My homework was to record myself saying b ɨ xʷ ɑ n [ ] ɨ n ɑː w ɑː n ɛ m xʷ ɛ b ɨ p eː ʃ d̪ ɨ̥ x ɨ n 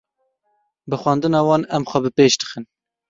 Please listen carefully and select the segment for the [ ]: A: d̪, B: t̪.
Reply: A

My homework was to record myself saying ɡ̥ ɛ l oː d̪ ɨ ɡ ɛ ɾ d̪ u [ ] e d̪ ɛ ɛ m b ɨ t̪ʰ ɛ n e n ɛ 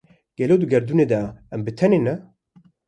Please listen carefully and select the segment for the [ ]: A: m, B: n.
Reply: B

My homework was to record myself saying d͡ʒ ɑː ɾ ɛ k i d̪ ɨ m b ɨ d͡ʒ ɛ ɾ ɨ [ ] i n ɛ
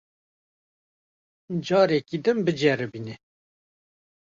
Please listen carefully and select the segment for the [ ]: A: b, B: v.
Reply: A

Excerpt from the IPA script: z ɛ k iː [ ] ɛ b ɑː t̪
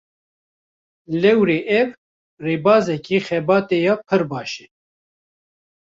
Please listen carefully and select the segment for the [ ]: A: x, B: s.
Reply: A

